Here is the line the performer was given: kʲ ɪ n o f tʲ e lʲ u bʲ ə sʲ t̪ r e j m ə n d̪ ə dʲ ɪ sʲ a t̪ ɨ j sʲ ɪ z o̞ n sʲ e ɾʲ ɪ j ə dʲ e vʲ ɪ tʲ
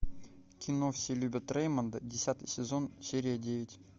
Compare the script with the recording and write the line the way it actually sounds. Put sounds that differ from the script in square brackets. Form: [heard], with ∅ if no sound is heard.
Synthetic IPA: kʲ ɪ n o f [sʲ] e lʲ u bʲ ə [∅] t̪ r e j m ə n d̪ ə dʲ ɪ sʲ a t̪ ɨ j sʲ ɪ z o̞ n sʲ e ɾʲ ɪ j ə dʲ e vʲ ɪ tʲ